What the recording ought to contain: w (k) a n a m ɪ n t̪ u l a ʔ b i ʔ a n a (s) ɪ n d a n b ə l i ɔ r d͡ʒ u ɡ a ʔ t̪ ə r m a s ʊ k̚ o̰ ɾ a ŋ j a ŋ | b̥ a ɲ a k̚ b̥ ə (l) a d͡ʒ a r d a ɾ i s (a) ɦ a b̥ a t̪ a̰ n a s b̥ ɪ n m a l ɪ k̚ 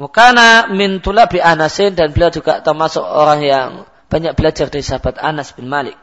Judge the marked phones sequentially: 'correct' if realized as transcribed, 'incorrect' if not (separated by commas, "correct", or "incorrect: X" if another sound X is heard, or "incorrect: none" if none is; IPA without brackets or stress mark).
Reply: correct, correct, correct, correct